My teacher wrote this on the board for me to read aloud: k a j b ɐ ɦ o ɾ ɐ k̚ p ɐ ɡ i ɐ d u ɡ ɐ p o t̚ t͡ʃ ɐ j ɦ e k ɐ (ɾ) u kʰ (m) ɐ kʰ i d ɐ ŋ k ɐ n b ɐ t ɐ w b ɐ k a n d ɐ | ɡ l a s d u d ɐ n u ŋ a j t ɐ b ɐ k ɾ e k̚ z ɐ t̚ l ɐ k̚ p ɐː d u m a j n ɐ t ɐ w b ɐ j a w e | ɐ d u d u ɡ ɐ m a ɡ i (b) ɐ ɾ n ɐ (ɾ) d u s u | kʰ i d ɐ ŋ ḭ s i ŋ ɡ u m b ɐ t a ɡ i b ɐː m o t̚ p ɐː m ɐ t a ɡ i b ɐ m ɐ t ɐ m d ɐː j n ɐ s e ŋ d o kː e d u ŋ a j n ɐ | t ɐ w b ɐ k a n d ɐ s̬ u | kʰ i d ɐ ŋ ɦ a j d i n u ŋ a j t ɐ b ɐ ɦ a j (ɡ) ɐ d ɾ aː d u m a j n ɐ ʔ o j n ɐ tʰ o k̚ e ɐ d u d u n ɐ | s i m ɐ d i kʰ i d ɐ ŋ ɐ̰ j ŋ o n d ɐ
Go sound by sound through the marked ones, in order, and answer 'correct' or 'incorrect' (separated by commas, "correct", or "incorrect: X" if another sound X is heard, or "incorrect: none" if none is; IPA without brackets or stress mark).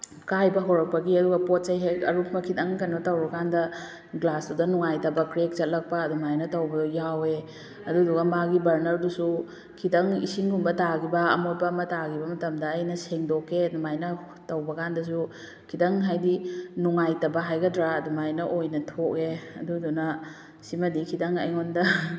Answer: correct, correct, correct, correct, correct